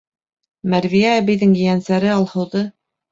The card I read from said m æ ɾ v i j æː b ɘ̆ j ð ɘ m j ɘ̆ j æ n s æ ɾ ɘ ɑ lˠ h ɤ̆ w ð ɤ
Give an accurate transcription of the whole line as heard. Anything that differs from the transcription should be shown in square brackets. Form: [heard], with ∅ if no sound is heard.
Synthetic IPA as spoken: m æ ɾ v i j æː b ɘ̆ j ð ɘ [ŋ] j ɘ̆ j æ n s æ ɾ ɘ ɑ lˠ h ɤ̆ w ð ɤ